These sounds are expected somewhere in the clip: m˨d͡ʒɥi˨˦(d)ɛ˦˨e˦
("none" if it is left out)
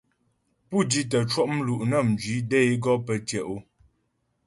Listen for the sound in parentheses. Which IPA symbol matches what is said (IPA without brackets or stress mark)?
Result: d